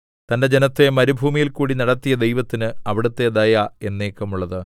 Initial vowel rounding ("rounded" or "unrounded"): unrounded